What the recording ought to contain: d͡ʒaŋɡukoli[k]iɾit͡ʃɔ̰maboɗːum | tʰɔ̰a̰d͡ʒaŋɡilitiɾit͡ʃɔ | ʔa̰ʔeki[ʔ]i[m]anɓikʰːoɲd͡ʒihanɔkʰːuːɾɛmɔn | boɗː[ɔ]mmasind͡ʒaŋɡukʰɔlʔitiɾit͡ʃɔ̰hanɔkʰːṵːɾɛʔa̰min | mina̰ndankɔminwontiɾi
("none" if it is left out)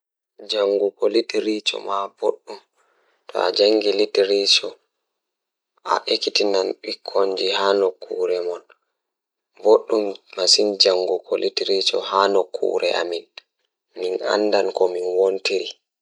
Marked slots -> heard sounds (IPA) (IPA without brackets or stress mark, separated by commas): t, t, n, u